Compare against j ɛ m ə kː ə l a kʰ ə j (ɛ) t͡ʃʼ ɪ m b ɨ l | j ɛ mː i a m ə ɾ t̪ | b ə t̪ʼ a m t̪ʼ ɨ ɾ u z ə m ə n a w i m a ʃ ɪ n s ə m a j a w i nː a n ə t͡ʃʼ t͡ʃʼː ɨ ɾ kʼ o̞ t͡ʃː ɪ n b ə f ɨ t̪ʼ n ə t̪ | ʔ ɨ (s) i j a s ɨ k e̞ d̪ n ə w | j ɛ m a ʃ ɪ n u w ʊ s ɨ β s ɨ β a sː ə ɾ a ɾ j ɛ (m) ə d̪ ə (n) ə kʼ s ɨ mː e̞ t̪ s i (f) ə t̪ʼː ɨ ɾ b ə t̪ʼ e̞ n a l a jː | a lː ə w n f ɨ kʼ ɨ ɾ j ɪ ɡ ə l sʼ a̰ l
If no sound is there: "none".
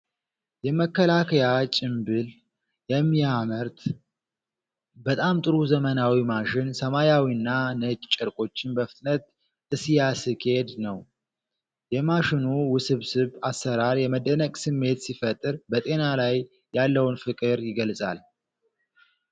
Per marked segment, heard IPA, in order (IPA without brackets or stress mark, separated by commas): a, s, m, n, f